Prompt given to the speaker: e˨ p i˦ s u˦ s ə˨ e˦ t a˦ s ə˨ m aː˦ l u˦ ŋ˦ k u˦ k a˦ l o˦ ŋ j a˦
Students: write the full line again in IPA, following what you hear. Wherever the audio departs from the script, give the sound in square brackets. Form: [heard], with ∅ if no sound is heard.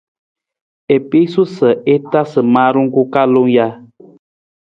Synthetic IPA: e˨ p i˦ s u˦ s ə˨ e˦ t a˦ s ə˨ m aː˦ [ɾ] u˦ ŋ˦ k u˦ k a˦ l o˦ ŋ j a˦